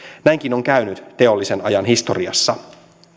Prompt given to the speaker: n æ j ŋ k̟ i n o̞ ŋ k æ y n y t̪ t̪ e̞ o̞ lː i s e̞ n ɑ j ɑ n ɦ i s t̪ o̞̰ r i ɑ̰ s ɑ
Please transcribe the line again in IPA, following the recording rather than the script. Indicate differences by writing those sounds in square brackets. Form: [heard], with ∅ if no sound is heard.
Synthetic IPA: n æ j ŋ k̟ i n o̞ ŋ k æ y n y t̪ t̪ e̞ o̞ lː i s e̞ n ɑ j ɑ n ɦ i s t̪ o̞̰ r i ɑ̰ [sː] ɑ